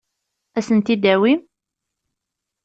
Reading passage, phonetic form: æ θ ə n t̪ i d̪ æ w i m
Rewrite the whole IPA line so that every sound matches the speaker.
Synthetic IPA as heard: æ s ə n t̪ i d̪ æ w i m